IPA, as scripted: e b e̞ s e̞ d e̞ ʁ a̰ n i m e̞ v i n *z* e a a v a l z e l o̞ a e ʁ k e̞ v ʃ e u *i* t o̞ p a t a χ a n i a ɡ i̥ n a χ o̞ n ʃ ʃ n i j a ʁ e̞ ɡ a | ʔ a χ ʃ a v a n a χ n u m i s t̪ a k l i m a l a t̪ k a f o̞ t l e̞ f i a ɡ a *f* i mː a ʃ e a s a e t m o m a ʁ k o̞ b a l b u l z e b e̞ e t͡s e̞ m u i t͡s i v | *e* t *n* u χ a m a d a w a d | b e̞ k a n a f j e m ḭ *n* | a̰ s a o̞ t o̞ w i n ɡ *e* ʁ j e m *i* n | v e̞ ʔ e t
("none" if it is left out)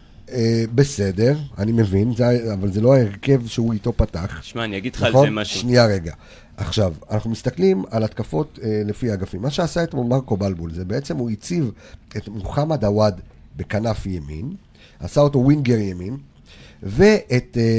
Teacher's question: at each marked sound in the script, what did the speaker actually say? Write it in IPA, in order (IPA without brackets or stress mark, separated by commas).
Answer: z, i, f, e, m, n, e, i